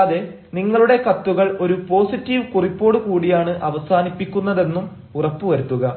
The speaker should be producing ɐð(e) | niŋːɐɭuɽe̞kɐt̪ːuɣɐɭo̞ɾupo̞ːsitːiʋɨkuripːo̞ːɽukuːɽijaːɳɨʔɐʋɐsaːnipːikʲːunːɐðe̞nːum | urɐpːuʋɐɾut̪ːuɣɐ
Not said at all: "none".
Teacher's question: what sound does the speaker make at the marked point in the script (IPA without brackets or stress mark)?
e